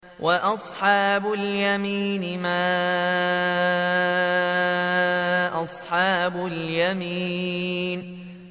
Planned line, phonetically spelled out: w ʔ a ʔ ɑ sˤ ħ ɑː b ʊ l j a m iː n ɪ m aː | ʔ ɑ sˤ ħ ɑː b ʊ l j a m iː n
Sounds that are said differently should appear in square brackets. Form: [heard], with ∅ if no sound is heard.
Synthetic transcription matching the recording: w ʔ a ʔ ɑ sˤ ħ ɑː b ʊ l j a m iː n ɪ m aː | ʔ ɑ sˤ ħ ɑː b ʊ l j a m iː n